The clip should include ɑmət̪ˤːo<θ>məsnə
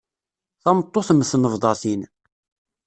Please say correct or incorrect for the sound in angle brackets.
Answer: correct